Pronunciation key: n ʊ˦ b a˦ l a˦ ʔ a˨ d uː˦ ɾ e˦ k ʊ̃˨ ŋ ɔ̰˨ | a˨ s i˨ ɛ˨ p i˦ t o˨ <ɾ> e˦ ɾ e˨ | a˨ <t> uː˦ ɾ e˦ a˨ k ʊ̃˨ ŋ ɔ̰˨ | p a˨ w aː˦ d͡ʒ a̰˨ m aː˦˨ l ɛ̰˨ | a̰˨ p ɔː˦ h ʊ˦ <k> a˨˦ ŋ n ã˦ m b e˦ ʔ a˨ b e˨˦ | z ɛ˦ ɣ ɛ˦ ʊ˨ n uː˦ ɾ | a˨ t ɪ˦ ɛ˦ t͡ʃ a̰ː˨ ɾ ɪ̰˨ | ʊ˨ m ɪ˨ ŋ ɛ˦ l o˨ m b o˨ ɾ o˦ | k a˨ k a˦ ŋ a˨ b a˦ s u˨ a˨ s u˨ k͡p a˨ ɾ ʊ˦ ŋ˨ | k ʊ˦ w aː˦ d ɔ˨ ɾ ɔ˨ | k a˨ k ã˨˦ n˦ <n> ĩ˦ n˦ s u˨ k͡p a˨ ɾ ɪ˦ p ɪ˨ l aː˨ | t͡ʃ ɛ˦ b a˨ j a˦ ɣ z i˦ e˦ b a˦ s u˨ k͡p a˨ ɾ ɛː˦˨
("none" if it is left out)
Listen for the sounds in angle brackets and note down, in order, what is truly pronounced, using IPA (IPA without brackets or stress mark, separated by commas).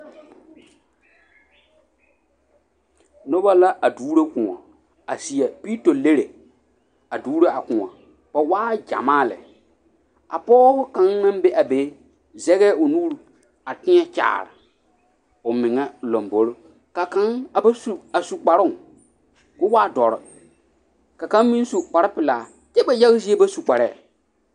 l, d, k, m